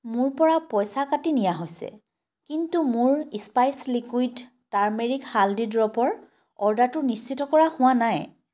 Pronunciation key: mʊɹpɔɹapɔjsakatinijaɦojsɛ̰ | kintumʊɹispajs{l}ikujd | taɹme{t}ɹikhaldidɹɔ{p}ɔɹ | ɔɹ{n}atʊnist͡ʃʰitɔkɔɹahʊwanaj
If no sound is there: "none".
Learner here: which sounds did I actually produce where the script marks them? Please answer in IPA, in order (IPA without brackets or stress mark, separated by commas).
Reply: l, none, p, d